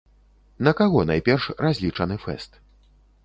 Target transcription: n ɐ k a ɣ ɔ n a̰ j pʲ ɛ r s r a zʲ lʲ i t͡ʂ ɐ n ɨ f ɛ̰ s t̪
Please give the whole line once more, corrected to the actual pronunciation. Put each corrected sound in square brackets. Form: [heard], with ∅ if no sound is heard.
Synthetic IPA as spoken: n ɐ k a ɣ ɔ n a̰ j pʲ ɛ r [ʂ] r a zʲ lʲ i t͡ʂ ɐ n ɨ f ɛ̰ s t̪